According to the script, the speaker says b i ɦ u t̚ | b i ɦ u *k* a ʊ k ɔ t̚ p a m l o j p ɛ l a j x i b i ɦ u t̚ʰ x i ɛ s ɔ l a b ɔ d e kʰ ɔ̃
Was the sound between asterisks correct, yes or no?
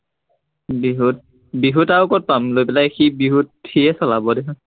no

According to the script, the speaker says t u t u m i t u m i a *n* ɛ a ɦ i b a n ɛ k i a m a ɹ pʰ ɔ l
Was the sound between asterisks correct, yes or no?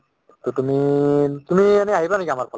yes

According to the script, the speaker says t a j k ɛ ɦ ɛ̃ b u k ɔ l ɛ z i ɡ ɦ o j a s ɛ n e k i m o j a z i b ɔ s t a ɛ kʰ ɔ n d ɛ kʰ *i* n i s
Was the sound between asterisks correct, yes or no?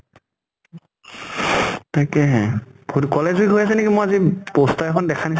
no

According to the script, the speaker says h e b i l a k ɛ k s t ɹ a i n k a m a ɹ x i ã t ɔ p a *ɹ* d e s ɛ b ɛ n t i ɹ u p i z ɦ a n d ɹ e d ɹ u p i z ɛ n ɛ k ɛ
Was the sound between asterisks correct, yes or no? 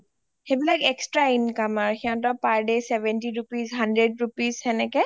yes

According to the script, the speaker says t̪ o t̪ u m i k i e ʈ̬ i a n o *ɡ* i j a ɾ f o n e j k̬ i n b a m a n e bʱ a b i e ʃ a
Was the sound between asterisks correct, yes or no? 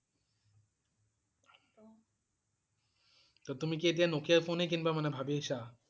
no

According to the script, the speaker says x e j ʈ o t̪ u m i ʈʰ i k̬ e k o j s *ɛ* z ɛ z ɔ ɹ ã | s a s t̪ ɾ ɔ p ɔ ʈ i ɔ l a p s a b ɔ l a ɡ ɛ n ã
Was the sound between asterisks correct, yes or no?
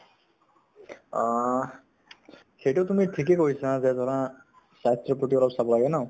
no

